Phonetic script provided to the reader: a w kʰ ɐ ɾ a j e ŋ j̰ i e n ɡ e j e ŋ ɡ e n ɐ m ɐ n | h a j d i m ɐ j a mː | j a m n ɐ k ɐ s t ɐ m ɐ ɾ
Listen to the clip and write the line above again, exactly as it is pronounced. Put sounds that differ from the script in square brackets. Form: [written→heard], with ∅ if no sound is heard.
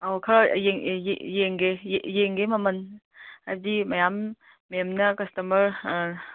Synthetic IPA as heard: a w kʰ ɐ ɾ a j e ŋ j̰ [i→j] e [n→ŋ] ɡ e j e ŋ ɡ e [n→m] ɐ m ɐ n | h a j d i m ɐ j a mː | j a m n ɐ k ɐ s t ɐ m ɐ ɾ